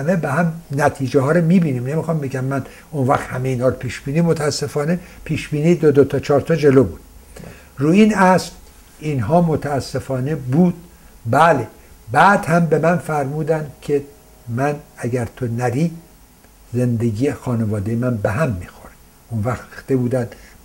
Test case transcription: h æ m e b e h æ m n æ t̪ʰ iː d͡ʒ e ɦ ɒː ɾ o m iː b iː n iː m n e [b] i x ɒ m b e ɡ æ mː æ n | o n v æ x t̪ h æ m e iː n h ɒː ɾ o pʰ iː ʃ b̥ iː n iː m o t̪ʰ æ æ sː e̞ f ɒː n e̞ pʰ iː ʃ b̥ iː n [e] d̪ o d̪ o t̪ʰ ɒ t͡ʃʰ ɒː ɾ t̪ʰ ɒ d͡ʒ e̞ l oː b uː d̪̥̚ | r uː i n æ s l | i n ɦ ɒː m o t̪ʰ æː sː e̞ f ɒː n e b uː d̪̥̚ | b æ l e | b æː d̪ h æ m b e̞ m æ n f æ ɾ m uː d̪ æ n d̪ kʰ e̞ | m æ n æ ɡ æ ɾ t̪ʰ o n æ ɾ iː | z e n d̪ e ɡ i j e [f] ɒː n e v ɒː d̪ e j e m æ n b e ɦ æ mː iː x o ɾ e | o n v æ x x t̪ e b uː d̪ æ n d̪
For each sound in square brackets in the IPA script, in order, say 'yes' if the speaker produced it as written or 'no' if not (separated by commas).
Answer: no, no, no